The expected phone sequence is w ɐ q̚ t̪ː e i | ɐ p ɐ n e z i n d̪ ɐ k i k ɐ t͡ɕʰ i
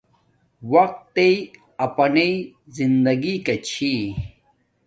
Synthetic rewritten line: w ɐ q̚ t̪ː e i | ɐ p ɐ n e z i n d̪ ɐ ɡ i k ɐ t͡ɕʰ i